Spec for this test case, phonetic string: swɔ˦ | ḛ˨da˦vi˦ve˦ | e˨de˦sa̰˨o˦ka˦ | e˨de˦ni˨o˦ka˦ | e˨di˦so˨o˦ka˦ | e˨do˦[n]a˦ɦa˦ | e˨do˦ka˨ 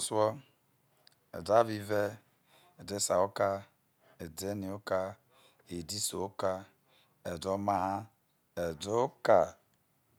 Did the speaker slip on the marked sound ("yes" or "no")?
yes